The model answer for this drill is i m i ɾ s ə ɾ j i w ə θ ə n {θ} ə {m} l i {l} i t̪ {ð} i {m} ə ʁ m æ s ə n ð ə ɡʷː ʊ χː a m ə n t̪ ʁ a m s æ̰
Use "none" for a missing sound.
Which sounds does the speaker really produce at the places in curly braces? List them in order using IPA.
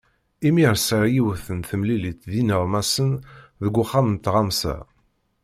θ, m, l, ð, n

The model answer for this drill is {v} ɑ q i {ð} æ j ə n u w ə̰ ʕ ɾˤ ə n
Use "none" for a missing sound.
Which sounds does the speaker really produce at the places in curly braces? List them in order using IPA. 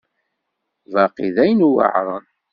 v, ð

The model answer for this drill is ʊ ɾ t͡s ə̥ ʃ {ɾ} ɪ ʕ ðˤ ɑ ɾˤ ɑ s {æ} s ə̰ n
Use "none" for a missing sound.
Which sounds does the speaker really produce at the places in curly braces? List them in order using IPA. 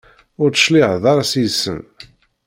l, i

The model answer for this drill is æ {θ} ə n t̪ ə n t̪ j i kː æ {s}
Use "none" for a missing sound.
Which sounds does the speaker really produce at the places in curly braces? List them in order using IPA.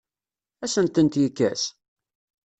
s, s

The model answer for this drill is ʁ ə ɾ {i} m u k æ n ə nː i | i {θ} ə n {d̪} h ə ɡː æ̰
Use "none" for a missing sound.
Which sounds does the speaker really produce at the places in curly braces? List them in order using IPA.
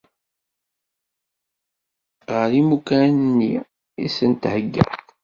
i, s, t̪

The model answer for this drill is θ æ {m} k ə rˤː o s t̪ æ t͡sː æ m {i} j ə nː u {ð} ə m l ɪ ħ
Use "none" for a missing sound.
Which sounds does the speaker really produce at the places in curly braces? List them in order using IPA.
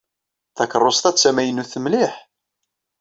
none, æ, θ

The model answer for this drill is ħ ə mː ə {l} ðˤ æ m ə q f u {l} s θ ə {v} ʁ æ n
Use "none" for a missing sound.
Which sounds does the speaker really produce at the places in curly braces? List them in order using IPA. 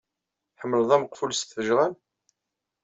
l, l, ʒ

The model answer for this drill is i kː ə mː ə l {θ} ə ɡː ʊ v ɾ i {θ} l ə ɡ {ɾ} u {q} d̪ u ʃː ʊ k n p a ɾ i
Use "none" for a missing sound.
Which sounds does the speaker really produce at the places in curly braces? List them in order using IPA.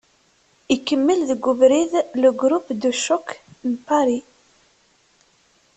ð, ð, ɾ, p

